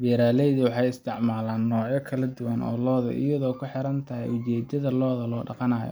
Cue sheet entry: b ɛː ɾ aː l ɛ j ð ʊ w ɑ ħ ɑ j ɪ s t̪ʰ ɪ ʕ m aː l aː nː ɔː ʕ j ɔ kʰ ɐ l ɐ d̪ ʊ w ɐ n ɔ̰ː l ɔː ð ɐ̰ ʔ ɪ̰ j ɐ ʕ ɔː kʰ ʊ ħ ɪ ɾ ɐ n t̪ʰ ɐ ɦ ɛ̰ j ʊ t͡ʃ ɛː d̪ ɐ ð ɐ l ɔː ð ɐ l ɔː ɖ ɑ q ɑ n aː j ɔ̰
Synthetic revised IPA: b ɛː ɾ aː l ɛ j ð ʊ w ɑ ħ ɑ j ɪ s t̪ʰ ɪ ʕ m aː l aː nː ɔː ʕ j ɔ kʰ ɐ l ɐ d̪ ʊ w ɐ n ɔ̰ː l ɔː ð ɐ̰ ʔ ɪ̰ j ɐ ð ɔː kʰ ʊ ħ ɪ ɾ ɐ n t̪ʰ ɐ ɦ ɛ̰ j ʊ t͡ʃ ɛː d̪ ɐ ð ɐ l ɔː ð ɐ l ɔː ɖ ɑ q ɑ n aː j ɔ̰